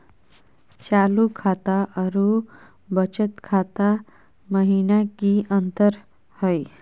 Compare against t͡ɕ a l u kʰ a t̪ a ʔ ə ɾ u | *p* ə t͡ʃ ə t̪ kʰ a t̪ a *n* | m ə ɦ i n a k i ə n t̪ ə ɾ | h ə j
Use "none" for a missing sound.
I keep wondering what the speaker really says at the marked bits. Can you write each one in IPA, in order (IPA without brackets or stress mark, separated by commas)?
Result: b, none